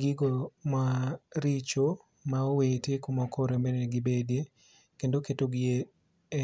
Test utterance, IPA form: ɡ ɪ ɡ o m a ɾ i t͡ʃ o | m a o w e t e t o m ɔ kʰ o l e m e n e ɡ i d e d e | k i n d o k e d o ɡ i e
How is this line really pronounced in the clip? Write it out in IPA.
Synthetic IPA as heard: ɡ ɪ ɡ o m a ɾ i t͡ʃ o | m a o w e t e k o m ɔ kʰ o ɾ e m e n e ɡ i b e d e | k e n d o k e t o ɡ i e